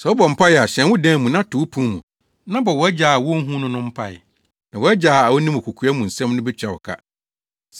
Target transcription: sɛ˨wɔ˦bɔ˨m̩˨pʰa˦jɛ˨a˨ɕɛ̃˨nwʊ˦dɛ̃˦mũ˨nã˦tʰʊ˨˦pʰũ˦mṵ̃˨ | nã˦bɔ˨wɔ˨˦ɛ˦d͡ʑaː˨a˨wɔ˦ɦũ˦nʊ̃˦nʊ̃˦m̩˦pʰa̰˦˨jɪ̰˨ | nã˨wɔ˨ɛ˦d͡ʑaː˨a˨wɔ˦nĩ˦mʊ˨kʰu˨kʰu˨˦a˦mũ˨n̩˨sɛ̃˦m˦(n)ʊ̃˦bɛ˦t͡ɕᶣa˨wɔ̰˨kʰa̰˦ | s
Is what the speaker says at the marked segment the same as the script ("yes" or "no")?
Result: yes